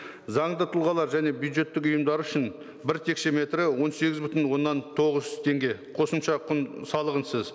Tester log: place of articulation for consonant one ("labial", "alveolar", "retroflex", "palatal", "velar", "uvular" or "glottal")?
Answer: alveolar